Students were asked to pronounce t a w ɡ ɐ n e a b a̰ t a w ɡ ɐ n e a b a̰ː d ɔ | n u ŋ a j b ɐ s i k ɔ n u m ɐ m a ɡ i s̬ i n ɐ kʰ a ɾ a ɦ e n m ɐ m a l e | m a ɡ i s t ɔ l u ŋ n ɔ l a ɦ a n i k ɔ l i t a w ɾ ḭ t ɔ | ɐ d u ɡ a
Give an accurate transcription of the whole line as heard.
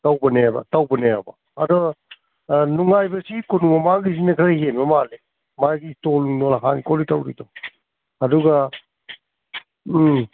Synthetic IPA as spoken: t a w b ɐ n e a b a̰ t a w b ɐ n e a b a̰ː d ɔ | n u ŋ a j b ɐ s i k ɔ n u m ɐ m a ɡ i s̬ i n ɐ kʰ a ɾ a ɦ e n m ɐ m a l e | m a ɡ i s t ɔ l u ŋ n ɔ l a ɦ a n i k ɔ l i t a w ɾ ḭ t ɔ | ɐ d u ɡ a